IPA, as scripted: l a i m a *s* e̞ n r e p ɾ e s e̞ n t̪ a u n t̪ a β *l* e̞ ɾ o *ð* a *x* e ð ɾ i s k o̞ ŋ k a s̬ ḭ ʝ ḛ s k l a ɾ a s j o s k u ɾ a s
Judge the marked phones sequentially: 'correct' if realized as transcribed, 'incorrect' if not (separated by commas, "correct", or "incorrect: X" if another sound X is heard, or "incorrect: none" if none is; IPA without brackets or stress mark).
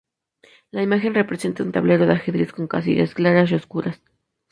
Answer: incorrect: x, correct, correct, correct